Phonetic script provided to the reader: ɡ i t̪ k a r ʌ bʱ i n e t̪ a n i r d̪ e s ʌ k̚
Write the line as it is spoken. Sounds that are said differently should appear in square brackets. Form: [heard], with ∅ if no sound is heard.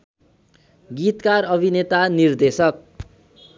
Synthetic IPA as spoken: ɡ i t̪ k a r ʌ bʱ i n e t̪ a n i r d̪ e s ʌ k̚